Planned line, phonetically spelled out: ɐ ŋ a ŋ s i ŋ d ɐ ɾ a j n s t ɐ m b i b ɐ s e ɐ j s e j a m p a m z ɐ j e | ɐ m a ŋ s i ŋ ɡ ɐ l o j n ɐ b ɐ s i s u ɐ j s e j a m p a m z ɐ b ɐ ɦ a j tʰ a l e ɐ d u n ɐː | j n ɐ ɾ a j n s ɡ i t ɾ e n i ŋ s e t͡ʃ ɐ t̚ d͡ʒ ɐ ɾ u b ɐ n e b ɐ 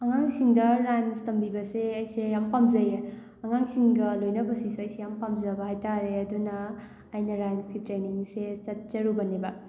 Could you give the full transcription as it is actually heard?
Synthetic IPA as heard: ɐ ŋ a ŋ s i ŋ d ɐ ɾ a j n s t ɐ m b i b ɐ s e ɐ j s e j a m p a m z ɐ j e | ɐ ŋ a ŋ s i ŋ ɡ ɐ l o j n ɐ b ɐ s i s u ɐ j s e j a m p a m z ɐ b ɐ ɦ a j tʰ a ɾ e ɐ d u n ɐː | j n ɐ ɾ a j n s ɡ i t ɾ e n i ŋ s e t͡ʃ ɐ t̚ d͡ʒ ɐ ɾ u b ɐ n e b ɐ